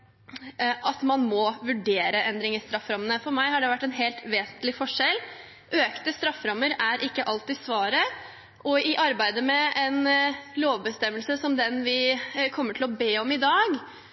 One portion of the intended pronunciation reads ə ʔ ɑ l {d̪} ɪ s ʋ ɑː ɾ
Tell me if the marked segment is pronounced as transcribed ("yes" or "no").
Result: no